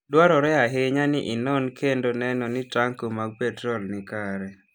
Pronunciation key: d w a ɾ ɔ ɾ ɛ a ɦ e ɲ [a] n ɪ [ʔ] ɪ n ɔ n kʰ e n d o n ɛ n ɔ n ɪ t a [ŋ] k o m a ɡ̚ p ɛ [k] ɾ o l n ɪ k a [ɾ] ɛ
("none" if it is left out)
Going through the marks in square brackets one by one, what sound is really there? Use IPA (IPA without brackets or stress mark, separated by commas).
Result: a, ʔ, ŋ, t, ɾ